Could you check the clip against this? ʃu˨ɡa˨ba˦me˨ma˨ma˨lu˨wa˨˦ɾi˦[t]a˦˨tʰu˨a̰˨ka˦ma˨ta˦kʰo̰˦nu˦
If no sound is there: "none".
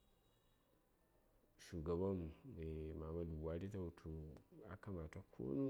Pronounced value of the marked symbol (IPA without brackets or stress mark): t